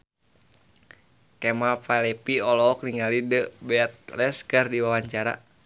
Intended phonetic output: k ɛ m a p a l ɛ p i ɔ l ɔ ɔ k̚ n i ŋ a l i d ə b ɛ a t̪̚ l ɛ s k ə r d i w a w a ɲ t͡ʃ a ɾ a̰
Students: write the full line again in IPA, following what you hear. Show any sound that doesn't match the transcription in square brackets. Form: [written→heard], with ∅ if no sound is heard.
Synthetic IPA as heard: k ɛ m a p a l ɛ p i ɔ l ɔ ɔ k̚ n i ŋ a l i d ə b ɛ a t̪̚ l ɛ s k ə r d i w a w a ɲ t͡ʃ a ɾ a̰

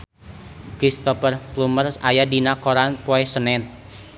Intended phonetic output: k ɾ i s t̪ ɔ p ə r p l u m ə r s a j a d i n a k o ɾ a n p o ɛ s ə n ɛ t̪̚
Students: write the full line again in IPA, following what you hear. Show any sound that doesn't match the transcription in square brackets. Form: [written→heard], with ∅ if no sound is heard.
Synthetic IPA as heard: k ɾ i s t̪ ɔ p ə r p l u m ə r s a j a d i n a k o ɾ a n p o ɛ s ə n ɛ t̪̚

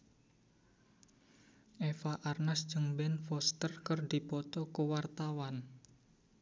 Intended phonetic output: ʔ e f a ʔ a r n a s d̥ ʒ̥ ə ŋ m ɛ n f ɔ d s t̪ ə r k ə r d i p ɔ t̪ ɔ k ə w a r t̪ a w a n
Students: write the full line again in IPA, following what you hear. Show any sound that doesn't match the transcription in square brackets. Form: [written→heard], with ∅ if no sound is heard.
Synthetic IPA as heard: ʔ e f a ʔ a r n a s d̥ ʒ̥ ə ŋ [m→b] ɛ n f ɔ [d→∅] s t̪ ə r k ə r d i p ɔ t̪ ɔ k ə w a r t̪ a w a n

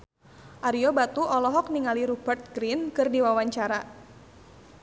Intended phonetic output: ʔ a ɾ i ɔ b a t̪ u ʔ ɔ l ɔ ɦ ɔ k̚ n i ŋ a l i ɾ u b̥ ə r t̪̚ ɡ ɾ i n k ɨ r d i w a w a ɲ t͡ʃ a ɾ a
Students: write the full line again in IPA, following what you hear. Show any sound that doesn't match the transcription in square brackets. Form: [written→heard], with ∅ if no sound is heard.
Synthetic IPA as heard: ʔ a ɾ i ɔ b a t̪ u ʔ ɔ l ɔ ɦ ɔ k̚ n i ŋ a l i ɾ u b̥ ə r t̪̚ ɡ ɾ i n k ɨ r d i w a w a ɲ t͡ʃ a ɾ a

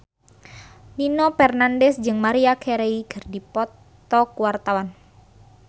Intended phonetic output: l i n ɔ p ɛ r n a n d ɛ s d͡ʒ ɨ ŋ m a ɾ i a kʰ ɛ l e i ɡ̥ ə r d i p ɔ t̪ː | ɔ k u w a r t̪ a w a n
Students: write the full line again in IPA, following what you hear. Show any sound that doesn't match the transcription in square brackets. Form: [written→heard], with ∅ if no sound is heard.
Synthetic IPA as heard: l i n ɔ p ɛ r n a n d ɛ s d͡ʒ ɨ ŋ m a ɾ i a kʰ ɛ [l→ɾ] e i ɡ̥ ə r d i p ɔ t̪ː | ɔ k u w a r t̪ a w a n

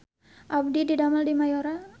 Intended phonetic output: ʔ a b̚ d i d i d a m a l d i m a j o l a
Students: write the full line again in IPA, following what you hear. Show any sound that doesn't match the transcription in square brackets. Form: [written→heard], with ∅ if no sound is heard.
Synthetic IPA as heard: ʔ a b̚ d i d i d a m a l d i m a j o [l→ɾ] a

